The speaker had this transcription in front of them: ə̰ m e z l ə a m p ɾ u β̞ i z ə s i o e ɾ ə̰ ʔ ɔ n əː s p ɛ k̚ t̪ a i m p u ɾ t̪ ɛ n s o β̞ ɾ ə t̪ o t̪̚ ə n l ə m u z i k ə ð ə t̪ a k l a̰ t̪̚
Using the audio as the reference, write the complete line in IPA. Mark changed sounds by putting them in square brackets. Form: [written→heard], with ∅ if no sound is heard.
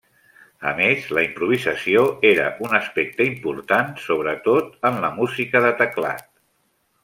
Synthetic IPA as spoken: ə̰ m e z l ə [a→i] m p ɾ u β̞ i z ə s i o e ɾ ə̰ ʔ [ɔ→u] n [əː→ə] s p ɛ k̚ t̪ [a→ə] i m p u ɾ t̪ [ɛ→a] n s o β̞ ɾ ə t̪ o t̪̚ ə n l ə m u z i k ə ð ə t̪ [a→ə] k l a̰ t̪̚